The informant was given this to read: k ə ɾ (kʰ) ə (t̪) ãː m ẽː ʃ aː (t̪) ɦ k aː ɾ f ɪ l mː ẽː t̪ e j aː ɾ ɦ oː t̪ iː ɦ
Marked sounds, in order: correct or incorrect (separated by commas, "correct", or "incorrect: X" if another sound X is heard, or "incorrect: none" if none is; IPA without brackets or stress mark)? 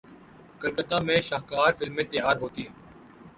incorrect: k, correct, incorrect: none